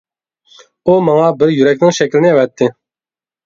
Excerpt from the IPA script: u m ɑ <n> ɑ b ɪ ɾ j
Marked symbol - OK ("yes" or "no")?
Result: no